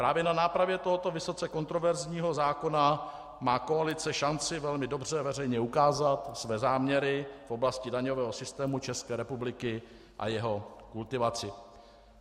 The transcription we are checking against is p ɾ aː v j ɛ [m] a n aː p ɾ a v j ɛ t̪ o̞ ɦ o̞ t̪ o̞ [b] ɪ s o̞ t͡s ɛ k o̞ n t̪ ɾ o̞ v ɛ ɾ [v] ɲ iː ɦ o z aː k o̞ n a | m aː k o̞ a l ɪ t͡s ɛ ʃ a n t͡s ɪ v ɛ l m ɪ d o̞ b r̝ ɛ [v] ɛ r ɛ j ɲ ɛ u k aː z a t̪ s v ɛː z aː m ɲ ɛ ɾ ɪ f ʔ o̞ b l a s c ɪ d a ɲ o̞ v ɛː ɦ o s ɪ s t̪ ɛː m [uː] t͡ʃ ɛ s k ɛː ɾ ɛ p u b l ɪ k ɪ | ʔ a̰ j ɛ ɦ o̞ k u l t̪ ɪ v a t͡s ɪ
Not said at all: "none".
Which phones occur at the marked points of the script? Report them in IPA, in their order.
n, v, z, v, u

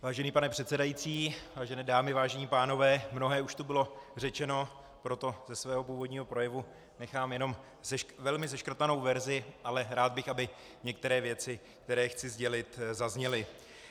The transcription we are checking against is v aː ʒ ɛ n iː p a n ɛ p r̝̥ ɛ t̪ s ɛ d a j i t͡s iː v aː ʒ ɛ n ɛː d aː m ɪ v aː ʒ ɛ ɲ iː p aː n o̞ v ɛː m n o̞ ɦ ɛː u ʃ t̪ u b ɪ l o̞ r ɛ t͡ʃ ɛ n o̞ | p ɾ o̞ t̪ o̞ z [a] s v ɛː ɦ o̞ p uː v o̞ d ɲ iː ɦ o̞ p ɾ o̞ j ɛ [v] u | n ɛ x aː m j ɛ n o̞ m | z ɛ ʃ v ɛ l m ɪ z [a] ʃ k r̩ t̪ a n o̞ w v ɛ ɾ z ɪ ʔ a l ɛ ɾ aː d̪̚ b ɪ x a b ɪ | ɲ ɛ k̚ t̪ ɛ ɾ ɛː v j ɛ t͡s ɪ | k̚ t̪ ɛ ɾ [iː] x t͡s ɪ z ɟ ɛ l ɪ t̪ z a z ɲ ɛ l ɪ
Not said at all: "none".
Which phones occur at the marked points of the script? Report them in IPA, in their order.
ɛ, v, ɛ, ɛː

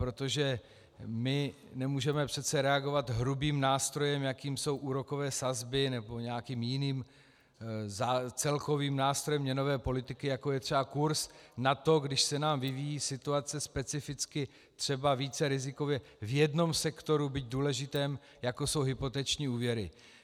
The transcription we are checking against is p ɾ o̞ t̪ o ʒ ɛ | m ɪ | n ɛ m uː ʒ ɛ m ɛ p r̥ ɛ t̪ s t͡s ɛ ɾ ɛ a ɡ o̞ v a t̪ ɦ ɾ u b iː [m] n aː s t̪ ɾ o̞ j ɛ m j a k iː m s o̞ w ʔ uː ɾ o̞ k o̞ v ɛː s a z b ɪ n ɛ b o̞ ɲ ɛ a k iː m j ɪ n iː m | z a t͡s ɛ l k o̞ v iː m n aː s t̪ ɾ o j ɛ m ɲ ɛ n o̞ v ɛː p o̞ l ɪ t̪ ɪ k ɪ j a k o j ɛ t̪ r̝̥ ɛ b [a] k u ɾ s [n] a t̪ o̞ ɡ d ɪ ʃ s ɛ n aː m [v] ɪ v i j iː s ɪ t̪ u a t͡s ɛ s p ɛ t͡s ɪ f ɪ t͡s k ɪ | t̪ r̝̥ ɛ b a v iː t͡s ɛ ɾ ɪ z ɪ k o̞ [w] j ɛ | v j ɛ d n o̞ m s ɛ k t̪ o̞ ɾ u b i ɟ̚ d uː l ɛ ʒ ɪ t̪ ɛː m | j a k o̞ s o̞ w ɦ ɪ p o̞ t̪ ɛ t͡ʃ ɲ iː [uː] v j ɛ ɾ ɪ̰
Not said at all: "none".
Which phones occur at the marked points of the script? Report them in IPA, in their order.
m, a, n, v, v, uː

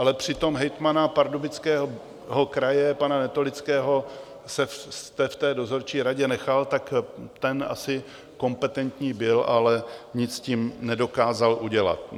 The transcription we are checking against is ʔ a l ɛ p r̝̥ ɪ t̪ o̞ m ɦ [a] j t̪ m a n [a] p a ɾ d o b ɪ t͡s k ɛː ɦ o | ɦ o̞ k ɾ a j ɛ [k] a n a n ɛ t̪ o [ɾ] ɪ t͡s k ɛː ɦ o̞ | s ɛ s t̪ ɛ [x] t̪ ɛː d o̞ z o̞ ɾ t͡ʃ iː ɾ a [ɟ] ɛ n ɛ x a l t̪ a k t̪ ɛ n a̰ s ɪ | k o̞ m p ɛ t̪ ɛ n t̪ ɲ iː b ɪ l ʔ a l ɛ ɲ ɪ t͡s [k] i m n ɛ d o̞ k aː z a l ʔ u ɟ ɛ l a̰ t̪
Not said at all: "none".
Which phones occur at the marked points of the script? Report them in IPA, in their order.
ɛ, a, p, l, f, ɟ, c

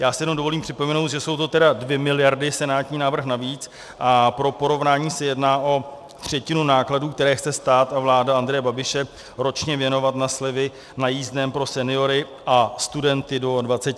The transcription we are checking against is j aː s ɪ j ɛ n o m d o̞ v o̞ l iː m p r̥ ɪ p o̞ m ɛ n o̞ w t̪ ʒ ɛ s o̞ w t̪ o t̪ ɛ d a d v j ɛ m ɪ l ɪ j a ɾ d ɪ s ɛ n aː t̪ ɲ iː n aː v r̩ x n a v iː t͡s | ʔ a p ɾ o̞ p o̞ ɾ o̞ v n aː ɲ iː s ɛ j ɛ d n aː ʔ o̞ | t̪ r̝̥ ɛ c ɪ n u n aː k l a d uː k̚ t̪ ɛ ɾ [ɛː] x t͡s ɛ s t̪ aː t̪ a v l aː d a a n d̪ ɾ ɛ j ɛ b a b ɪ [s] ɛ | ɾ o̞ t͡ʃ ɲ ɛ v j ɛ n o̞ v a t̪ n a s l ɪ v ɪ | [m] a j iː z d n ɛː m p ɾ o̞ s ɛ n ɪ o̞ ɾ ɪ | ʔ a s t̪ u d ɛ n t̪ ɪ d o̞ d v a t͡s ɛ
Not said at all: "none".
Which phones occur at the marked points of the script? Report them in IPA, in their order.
ɛː, ʃ, n

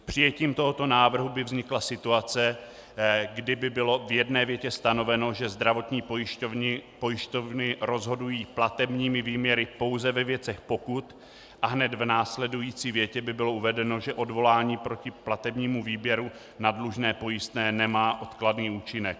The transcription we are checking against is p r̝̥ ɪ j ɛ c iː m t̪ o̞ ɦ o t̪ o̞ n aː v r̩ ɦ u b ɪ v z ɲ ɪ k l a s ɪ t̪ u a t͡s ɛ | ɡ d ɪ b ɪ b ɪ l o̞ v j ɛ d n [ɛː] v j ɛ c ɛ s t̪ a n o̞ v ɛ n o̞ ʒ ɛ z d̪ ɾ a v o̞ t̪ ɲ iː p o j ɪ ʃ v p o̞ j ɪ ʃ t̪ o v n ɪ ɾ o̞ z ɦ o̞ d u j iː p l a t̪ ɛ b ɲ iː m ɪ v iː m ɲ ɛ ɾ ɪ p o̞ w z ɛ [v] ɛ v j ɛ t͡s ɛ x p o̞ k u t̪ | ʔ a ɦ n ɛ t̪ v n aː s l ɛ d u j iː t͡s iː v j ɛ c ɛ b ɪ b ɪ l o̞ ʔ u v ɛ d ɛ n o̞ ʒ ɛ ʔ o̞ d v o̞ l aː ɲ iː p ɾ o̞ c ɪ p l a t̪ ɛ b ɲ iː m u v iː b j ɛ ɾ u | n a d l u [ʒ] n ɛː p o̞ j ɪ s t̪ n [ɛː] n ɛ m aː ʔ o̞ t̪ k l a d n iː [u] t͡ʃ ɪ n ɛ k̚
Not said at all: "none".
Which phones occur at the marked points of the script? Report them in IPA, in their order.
ɛː, v, ʒ, ɛː, uː

